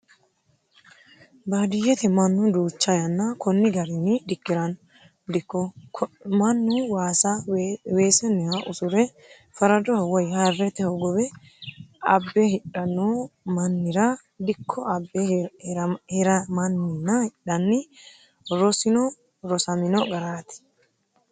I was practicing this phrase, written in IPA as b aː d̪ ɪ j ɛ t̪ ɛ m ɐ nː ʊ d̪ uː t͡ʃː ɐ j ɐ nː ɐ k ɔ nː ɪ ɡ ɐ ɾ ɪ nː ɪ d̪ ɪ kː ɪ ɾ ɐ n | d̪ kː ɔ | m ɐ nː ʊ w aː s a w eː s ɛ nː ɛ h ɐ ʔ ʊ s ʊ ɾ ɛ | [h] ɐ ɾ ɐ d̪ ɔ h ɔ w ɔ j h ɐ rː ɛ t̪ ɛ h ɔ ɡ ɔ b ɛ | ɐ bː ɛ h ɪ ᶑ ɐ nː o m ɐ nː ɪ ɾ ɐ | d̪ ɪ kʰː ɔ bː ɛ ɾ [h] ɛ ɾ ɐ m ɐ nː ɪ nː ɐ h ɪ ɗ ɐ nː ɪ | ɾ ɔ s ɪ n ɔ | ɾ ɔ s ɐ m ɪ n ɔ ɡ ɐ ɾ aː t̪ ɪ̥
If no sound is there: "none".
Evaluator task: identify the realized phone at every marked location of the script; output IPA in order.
f, h

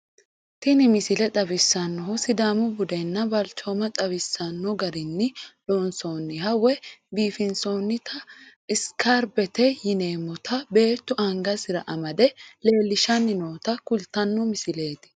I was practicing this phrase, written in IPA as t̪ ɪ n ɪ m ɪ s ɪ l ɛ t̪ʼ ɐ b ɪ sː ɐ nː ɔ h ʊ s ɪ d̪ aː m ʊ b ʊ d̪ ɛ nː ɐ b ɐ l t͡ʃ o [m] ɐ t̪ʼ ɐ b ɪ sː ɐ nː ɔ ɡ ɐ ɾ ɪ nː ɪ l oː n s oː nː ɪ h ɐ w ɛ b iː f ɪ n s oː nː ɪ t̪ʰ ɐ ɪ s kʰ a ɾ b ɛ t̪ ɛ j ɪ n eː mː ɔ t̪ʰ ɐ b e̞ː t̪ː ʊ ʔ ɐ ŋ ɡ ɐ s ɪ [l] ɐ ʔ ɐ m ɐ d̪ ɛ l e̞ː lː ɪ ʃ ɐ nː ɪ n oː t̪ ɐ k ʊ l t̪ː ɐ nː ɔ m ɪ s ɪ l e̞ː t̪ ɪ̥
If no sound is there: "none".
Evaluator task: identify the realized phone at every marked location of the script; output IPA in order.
m, ɾ

